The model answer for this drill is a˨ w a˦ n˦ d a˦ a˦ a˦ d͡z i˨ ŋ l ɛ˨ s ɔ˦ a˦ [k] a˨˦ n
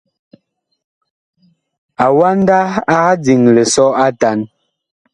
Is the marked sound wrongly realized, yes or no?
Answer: yes